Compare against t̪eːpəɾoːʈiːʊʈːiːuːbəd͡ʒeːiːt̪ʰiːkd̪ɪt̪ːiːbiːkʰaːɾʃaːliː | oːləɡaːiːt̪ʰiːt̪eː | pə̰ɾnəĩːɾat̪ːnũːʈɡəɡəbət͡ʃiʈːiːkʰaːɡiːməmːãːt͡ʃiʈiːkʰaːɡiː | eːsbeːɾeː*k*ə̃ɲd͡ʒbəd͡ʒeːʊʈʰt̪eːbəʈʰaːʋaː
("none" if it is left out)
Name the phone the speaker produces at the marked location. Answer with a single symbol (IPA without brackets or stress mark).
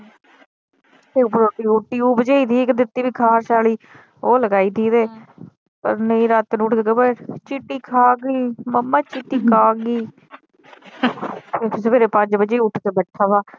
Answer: p